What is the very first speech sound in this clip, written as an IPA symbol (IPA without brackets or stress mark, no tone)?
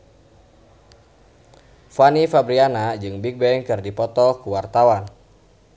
f